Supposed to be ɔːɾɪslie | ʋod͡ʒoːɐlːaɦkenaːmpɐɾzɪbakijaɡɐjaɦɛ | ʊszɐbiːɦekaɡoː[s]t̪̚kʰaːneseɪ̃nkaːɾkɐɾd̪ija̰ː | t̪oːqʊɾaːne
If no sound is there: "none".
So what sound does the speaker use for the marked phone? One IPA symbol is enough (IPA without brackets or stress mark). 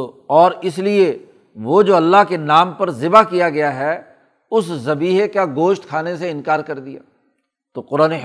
ʃ